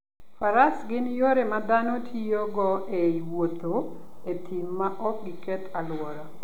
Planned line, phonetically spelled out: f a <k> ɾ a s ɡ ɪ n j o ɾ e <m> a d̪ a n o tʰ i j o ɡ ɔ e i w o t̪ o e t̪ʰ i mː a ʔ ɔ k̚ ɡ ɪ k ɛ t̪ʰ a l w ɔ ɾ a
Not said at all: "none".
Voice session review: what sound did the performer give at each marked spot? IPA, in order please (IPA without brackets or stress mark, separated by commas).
none, m